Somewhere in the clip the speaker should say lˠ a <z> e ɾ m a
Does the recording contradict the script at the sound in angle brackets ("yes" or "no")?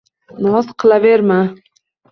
yes